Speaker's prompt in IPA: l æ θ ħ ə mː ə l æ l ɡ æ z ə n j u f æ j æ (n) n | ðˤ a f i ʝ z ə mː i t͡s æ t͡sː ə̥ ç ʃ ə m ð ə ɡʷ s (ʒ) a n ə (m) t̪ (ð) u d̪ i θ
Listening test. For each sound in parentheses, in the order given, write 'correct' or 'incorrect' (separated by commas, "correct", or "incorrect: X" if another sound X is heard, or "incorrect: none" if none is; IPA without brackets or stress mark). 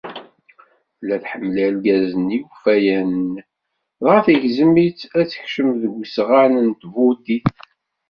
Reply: correct, incorrect: ʁ, incorrect: n, incorrect: v